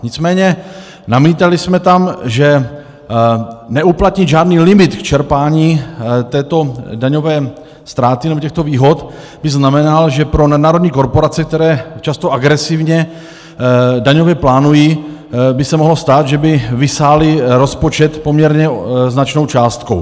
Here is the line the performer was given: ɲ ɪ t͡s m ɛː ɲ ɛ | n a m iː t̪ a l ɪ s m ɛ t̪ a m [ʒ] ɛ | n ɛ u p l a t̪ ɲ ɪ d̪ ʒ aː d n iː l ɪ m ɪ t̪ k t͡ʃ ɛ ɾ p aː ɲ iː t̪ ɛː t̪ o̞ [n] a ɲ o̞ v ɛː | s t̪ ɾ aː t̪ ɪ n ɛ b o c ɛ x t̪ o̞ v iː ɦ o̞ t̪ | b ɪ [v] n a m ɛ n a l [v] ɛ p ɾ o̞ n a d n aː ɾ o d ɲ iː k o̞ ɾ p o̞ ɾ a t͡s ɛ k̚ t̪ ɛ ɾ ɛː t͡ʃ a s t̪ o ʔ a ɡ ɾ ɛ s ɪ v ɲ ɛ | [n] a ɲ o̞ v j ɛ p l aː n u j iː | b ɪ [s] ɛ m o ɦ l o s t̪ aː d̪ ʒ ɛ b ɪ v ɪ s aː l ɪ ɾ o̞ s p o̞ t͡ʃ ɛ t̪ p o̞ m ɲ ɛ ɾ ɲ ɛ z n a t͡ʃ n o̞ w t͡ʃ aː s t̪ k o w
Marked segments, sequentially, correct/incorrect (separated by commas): correct, incorrect, incorrect, incorrect, incorrect, correct